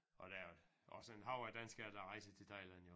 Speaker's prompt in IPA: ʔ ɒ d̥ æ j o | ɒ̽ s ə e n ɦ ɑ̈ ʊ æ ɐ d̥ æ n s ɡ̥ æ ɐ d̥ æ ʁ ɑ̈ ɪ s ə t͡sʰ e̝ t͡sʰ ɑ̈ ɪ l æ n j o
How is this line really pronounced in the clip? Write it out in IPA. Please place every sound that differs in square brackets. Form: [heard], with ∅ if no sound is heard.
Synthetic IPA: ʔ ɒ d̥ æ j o | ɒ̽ s ə e n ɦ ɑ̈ ʊ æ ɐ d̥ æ n s ɡ̥ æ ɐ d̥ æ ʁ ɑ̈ ɪ s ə t͡sʰ e̝ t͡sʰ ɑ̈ ɪ l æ n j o